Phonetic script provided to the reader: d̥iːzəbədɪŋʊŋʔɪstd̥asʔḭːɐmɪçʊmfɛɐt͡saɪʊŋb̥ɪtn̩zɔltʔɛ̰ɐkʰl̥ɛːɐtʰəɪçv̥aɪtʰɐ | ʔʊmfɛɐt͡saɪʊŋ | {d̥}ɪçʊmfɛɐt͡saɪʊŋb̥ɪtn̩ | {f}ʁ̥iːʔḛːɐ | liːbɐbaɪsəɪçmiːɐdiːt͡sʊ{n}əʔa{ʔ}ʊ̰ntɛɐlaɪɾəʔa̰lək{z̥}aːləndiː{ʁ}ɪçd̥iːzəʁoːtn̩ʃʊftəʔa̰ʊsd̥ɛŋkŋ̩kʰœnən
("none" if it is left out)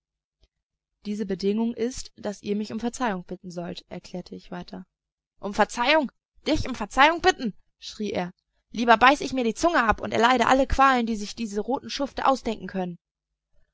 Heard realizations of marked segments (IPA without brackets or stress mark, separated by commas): d̥, ʃ, ŋ, p, v̥, z